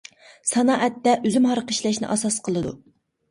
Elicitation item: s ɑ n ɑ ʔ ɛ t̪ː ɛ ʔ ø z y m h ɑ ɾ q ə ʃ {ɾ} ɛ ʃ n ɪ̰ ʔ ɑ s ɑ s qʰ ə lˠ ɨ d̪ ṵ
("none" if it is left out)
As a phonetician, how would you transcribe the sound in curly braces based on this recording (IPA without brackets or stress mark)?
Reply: l